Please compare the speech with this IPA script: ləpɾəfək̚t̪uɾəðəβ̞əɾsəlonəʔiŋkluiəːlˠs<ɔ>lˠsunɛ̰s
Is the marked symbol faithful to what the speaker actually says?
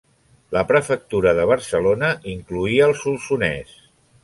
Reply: no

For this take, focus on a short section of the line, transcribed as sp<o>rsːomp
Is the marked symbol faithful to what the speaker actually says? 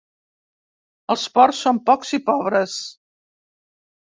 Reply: no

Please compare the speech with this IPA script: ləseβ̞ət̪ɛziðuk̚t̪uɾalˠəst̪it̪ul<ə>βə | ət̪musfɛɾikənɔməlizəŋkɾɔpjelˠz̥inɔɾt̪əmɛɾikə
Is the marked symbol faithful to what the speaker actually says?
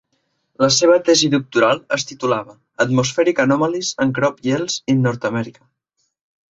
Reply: no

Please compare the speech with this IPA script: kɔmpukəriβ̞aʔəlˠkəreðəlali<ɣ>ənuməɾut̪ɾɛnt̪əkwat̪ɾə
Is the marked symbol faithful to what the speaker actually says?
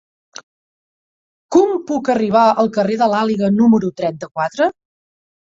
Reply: yes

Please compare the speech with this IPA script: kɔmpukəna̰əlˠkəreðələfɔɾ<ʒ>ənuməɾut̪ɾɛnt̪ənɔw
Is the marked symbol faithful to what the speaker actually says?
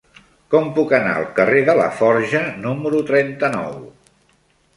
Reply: yes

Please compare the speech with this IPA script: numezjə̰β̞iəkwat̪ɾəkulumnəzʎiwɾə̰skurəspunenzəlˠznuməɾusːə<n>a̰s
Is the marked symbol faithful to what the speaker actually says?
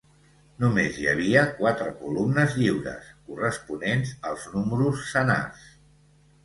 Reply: yes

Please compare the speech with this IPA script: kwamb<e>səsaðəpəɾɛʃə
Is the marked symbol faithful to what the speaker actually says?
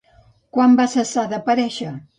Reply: no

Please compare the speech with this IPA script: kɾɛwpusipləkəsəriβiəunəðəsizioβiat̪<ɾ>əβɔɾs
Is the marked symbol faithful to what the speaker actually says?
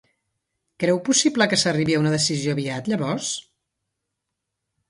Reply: no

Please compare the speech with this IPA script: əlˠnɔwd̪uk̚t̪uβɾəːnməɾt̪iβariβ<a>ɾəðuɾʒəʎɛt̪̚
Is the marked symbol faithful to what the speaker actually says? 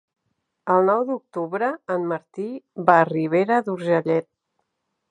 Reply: no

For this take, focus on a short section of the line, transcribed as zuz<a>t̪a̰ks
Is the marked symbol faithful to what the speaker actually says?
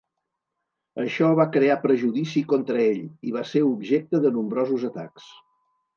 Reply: no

